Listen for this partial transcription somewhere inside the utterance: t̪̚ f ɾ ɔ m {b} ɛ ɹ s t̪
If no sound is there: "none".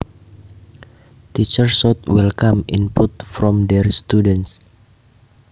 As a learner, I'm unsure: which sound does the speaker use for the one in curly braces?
d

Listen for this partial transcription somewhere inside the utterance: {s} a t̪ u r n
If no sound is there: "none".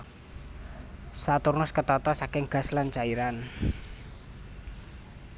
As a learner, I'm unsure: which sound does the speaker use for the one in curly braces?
s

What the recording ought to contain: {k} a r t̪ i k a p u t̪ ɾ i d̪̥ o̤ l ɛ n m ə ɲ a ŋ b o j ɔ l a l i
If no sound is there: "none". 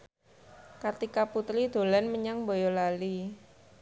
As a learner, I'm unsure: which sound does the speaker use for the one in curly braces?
k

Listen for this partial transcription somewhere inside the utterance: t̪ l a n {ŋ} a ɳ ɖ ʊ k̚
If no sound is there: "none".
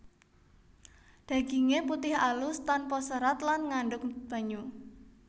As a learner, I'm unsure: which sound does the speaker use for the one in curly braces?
ŋ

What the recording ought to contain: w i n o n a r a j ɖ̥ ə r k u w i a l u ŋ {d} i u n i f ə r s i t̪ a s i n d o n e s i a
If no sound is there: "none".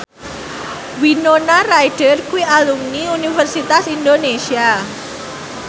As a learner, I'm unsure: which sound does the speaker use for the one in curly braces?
n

